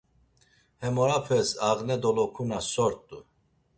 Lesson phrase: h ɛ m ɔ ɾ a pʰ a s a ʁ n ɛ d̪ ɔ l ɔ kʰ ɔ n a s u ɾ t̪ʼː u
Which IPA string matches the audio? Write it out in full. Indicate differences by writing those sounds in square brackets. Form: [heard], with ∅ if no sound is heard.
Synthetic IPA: h ɛ m ɔ ɾ a pʰ [ɛ] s a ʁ n ɛ d̪ ɔ l ɔ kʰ [u] n a s [ɔ] ɾ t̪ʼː u